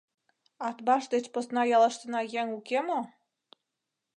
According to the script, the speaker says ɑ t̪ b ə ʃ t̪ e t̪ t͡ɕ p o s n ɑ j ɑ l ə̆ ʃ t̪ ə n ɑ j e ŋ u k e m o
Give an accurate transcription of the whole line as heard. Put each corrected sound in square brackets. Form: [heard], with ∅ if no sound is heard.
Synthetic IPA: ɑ t̪ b [ɑ] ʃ [d̪] e [∅] t͡ɕ p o s n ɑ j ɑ l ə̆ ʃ t̪ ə n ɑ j e ŋ u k e m o